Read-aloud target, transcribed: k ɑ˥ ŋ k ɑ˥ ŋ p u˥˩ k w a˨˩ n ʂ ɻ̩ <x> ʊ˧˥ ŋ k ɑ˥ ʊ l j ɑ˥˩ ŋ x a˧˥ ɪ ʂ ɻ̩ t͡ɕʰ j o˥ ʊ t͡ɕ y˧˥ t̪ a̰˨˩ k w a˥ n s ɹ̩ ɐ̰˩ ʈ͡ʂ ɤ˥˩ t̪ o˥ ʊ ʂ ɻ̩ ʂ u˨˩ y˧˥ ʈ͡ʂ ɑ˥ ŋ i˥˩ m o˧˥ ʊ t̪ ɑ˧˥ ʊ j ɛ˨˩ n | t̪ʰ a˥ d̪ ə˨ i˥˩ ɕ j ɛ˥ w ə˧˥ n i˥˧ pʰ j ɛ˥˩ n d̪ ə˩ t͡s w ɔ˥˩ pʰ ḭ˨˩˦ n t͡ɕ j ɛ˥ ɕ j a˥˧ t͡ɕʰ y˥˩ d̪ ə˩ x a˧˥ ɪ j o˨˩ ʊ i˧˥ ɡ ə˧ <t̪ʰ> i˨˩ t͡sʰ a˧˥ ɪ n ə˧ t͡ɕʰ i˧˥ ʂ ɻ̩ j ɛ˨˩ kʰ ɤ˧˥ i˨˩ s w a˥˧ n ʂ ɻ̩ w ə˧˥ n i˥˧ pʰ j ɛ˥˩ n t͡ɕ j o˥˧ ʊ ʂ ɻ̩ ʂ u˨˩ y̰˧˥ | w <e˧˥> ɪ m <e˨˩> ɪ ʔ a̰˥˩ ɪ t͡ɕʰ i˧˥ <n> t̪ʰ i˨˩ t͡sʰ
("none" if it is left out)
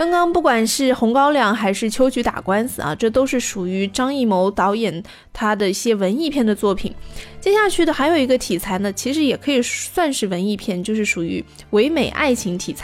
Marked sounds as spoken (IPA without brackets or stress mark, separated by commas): x, t̪ʰ, e˧˥, e˨˩, ŋ